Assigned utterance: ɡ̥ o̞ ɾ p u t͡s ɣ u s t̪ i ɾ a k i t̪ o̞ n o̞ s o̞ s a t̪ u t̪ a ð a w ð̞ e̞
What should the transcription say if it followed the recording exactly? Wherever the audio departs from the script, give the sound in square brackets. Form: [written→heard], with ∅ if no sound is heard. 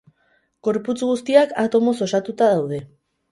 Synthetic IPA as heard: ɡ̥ o̞ ɾ p u t͡s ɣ u s t̪ i [ɾ→∅] a k [i→a] t̪ o̞ [n→m] o̞ s o̞ s a t̪ u t̪ a ð a w ð̞ e̞